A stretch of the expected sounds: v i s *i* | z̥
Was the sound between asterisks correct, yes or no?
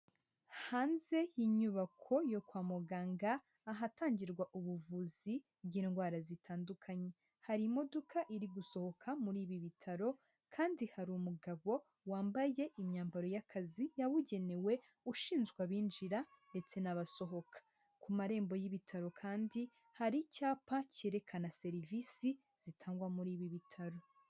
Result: yes